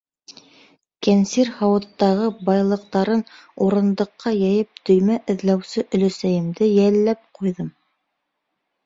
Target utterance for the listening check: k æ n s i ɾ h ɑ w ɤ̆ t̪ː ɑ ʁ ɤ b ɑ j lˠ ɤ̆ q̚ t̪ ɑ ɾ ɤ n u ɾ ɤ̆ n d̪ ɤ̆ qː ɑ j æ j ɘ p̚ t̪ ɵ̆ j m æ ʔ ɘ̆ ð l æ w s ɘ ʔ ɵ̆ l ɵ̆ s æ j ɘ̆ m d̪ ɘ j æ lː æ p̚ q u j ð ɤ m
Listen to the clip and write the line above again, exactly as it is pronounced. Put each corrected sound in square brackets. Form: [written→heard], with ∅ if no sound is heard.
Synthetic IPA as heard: k æ n s i ɾ h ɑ w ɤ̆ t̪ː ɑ ʁ ɤ b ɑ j lˠ ɤ̆ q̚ t̪ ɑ ɾ ɤ n u ɾ ɤ̆ n d̪ ɤ̆ qː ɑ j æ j ɘ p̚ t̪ ɵ̆ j m æ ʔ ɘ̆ ð l æ w s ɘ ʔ ɵ̆ l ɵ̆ s æ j ɘ̆ m d̪ ɘ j æ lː æ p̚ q u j ð ɤ m